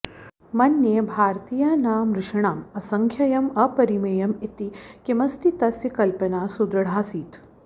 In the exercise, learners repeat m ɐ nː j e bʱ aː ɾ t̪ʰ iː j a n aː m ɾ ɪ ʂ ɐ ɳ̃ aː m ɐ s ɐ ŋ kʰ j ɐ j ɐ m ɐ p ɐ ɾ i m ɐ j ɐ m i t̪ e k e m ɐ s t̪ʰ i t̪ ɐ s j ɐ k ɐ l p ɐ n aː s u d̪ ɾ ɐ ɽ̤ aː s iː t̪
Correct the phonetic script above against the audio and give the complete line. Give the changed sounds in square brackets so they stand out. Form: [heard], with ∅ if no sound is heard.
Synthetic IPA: m ɐ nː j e bʱ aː ɾ [t̪] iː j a n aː m ɾ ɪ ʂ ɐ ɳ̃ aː m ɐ s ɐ ŋ kʰ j ɐ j ɐ m ɐ p ɐ ɾ i m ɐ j ɐ m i t̪ [i] k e m ɐ s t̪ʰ i t̪ ɐ s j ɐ k ɐ l p ɐ n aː s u d̪ ɾ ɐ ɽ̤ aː s iː t̪

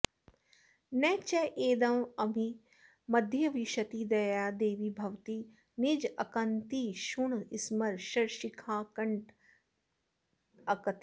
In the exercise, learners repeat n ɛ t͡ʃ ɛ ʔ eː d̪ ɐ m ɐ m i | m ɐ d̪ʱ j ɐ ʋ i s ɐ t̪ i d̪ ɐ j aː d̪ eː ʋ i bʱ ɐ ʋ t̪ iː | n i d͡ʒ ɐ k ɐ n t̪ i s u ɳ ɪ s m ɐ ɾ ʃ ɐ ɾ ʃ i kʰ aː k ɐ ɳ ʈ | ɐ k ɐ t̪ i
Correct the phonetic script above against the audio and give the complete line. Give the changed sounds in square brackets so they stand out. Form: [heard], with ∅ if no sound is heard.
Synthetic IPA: n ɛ t͡ʃ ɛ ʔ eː d̪ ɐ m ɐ m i | m ɐ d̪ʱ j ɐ ʋ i [ʃ] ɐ t̪ i d̪ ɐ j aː d̪ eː ʋ i bʱ ɐ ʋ t̪ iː | n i d͡ʒ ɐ k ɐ n t̪ i [ʃ] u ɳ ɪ s m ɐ ɾ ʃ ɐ ɾ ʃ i kʰ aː k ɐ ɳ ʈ | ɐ k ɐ t̪ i

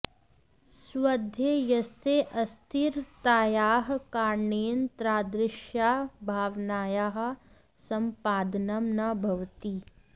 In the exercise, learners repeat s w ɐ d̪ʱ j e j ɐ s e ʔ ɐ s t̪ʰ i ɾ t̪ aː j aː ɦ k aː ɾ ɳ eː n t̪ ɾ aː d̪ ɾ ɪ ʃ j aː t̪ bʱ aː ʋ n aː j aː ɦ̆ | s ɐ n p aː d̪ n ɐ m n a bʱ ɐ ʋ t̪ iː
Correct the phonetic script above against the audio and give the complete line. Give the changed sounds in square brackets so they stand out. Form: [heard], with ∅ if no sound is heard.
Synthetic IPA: s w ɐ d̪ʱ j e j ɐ s e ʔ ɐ s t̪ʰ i ɾ t̪ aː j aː ɦ k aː ɾ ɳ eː n t̪ ɾ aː d̪ ɾ ɪ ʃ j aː [∅] bʱ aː ʋ n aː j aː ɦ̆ | s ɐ [m] p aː d̪ n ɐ m n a bʱ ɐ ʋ t̪ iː

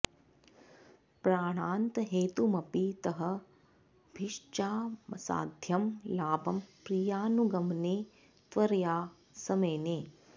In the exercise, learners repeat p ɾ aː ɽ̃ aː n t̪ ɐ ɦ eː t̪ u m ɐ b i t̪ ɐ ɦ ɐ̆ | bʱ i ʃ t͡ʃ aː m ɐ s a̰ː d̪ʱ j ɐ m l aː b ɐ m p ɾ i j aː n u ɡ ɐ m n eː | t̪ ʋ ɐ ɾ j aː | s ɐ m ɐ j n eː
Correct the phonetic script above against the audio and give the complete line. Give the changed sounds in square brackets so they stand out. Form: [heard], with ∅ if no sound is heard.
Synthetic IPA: p ɾ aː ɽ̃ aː n t̪ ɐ ɦ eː t̪ u m ɐ [p] i t̪ ɐ ɦ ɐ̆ | bʱ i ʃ t͡ʃ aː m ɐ s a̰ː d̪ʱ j ɐ m l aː b ɐ m p ɾ i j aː n u ɡ ɐ m n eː | t̪ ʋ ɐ ɾ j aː | s ɐ m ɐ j n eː

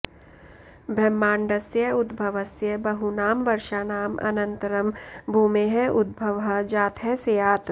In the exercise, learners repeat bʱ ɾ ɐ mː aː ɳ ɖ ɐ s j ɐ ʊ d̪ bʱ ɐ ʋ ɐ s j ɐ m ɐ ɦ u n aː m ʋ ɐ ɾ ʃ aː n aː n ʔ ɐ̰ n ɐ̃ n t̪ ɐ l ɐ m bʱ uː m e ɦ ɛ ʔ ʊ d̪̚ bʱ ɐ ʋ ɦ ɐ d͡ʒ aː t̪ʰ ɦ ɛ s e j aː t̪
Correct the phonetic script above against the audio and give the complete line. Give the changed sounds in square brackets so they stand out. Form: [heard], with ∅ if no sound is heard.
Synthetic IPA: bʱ ɾ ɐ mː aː ɳ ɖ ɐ s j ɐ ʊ d̪ bʱ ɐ ʋ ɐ s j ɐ [b] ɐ ɦ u n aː m ʋ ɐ ɾ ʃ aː n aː [m] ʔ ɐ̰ n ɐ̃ n t̪ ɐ [ɾ] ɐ m bʱ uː m e ɦ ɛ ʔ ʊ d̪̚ bʱ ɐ ʋ ɦ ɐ d͡ʒ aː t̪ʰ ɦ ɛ s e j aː t̪

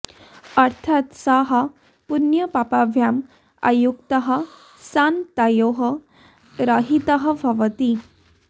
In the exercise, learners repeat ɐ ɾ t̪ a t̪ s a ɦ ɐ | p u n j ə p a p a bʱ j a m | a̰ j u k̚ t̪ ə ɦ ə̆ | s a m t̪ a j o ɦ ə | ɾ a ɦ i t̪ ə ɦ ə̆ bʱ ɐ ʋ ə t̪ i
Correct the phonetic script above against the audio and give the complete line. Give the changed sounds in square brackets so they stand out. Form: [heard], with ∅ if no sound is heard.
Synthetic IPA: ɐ ɾ [t̪ʰ] a t̪ s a ɦ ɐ | p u n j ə p a p a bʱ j a m | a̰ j u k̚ t̪ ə ɦ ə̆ | s a [n] t̪ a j o ɦ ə | ɾ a ɦ i t̪ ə ɦ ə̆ bʱ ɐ ʋ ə t̪ i

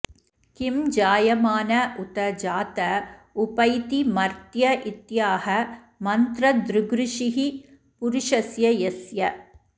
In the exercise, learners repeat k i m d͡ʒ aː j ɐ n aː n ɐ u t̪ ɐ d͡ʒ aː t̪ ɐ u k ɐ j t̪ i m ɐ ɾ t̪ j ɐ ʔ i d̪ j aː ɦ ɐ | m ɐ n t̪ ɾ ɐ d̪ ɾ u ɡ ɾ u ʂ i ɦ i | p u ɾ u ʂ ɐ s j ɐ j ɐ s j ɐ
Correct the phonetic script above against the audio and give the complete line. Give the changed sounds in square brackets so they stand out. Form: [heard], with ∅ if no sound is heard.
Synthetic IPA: k i m d͡ʒ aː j ɐ [m] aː n ɐ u t̪ ɐ d͡ʒ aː t̪ ɐ u [p] ɐ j t̪ i m ɐ ɾ t̪ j ɐ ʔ i [t̪] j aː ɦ ɐ | m ɐ n t̪ ɾ ɐ d̪ ɾ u ɡ ɾ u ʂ i ɦ i | p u ɾ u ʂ ɐ s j ɐ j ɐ s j ɐ

